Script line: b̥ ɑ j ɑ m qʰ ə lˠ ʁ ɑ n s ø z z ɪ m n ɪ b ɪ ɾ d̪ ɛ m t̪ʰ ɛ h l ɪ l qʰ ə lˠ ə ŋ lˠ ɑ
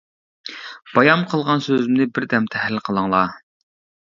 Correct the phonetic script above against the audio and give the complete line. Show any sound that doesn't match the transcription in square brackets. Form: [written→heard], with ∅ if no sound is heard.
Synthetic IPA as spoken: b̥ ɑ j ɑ m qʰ ə lˠ ʁ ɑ n s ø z z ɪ m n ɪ b ɪ ɾ d̪ ɛ m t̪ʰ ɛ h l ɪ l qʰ ə lˠ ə ŋ lˠ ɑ